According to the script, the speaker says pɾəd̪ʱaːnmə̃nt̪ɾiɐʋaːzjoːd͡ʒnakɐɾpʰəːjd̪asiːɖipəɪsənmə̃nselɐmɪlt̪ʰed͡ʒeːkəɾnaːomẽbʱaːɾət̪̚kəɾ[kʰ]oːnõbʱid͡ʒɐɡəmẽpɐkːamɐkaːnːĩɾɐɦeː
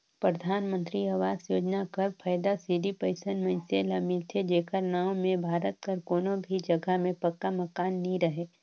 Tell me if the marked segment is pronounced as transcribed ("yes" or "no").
no